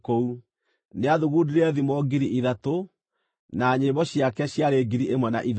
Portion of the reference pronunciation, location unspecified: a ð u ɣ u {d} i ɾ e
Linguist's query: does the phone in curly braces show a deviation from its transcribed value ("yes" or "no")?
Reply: no